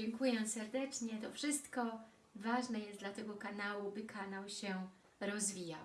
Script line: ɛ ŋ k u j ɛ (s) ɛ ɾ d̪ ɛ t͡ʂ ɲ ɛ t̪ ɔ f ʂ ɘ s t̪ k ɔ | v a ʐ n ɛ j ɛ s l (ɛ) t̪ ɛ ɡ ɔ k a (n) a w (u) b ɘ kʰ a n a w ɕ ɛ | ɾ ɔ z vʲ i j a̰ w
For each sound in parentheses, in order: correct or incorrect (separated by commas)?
correct, incorrect, correct, correct